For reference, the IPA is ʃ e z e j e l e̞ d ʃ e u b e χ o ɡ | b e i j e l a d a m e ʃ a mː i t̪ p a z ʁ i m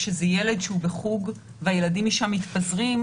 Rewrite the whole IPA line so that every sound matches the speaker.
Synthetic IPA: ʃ e z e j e l e̞ d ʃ e u b e χ u ɡ | v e a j e l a d i m i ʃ a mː i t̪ p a z ʁ i m